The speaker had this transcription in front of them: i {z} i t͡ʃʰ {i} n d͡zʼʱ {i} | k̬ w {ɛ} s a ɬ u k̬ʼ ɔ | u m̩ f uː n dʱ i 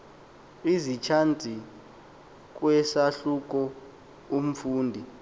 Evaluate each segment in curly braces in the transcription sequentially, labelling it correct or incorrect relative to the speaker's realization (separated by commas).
correct, incorrect, correct, correct